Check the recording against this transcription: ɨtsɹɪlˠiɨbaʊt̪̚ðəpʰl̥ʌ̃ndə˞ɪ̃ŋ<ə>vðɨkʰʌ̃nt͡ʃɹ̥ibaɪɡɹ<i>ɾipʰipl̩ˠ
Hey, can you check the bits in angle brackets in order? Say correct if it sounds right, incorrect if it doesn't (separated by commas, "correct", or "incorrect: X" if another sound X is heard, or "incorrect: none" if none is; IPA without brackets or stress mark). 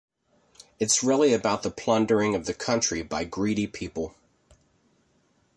incorrect: ʌ, correct